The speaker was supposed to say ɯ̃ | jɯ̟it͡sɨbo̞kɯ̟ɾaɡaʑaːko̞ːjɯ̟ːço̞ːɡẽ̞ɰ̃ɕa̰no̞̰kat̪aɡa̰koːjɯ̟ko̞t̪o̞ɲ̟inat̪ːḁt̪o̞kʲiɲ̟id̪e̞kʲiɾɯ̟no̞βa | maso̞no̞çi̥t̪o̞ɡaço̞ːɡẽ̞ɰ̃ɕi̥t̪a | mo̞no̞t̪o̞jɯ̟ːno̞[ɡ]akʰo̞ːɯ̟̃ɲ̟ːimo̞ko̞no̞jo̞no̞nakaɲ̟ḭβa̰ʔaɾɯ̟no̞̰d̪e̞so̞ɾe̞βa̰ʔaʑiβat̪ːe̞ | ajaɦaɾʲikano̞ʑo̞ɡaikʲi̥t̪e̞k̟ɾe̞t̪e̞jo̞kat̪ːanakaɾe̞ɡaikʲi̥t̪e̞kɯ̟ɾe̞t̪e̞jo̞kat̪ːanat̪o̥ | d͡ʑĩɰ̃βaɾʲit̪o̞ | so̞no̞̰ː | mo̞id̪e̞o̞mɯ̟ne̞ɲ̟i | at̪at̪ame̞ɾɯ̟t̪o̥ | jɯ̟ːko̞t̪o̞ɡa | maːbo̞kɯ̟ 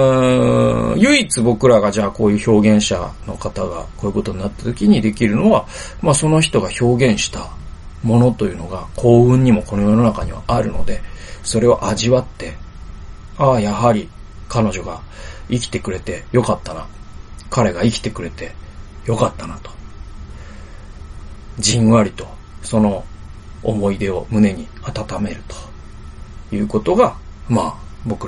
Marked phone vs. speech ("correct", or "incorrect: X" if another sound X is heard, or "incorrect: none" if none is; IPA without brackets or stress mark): correct